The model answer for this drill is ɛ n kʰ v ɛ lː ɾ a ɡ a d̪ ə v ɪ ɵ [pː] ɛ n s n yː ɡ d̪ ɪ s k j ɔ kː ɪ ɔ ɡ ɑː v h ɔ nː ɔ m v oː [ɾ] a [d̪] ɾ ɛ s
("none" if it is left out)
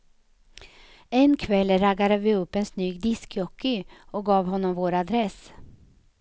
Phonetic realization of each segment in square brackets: pː, ɾ, d̪

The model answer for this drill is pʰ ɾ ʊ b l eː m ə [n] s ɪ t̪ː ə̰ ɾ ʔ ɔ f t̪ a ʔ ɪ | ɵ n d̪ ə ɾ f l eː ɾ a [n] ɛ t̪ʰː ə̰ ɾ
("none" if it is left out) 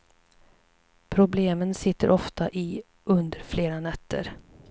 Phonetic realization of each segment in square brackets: n, n

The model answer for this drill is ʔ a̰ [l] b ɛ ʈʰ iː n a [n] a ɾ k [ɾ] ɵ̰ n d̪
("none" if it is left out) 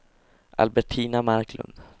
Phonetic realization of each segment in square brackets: l, m, l

